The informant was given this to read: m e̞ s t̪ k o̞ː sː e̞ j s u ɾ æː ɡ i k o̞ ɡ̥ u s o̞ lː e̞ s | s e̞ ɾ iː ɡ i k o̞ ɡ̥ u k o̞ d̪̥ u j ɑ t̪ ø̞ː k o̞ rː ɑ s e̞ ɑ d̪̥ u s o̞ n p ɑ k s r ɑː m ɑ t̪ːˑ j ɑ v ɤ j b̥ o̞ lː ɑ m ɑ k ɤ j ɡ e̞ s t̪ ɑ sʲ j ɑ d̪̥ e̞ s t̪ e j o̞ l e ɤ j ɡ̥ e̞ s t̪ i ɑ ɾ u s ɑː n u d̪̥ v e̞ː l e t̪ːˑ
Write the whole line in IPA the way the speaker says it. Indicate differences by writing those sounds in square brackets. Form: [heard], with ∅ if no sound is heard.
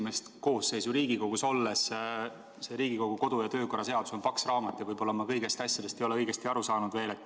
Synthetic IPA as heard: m e̞ s t̪ k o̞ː sː e̞ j s u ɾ [iː] ɡ i k o̞ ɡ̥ u s o̞ lː e̞ s | s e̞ ɾ iː ɡ i k o̞ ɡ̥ u k o̞ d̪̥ u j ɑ t̪ ø̞ː k o̞ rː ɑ s e̞ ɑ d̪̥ u s o̞ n p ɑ k s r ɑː m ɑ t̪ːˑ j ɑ v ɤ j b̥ o̞ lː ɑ m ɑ k ɤ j ɡ e̞ s t̪ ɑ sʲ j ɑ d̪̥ e̞ s t̪ e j o̞ l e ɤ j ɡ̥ e̞ s t̪ i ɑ ɾ u s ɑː n u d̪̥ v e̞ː l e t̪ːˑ

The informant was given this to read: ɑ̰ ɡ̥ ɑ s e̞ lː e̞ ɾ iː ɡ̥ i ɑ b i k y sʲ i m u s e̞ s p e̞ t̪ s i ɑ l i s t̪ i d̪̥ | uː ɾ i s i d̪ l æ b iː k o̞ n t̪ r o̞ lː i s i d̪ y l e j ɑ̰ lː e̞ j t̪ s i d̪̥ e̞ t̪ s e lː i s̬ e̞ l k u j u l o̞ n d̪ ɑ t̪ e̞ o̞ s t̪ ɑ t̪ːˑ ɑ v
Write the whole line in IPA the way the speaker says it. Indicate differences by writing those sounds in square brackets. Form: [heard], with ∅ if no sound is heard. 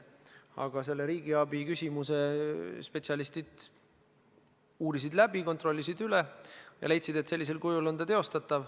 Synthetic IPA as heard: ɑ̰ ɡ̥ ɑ s e̞ lː e̞ ɾ iː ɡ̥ i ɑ b i k y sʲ i m u s e̞ s p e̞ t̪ s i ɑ l i s t̪ i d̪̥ | uː ɾ i s i d̪ l æ b [i] k o̞ n t̪ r o̞ lː i s i d̪ y l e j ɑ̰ [l] e̞ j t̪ s i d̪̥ e̞ t̪ s e lː i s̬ e̞ l k u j u l o̞ n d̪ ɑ t̪ e̞ o̞ s t̪ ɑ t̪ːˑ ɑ v

